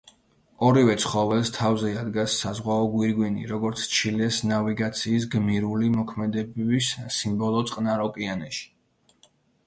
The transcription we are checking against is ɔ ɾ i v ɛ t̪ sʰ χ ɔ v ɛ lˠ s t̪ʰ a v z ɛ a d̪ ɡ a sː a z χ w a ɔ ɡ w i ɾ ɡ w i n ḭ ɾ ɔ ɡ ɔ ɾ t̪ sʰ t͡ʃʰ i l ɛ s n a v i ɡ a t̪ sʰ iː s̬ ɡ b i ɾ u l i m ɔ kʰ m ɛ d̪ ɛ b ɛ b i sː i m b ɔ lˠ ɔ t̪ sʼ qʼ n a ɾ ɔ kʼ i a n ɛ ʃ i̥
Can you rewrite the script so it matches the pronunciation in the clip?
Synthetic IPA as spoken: ɔ ɾ i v ɛ t̪ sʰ χ ɔ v ɛ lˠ s t̪ʰ a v z ɛ a d̪ ɡ a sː a z ʁ w a ɔ ɡ w i ɾ ɡ w i n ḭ ɾ ɔ ɡ ɔ ɾ t̪ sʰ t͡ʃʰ i l ɛ s n a v i ɡ a t̪ sʰ iː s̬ ɡ m i ɾ u l i m ɔ kʰ m ɛ d̪ ɛ b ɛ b i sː i m b ɔ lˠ ɔ t̪ sʼ qʼ n a ɾ ɔ kʼ i a n ɛ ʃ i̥